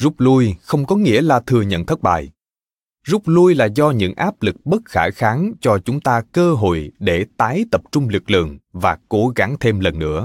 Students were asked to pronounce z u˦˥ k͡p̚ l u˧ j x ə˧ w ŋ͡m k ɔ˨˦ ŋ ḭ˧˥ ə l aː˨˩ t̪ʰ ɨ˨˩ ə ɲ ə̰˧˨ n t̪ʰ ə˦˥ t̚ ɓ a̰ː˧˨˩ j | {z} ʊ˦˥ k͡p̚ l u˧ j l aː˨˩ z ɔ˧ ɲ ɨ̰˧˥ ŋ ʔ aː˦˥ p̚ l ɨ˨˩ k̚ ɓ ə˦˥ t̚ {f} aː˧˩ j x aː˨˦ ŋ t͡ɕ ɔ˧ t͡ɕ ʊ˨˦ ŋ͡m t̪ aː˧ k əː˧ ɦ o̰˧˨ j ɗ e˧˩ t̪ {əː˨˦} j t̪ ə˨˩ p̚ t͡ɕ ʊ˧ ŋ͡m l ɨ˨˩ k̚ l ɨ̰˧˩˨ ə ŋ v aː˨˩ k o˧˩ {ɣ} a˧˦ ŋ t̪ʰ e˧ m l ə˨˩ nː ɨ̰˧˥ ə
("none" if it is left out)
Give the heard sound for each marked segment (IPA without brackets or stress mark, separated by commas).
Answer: z, x, aː˨˦, ɣ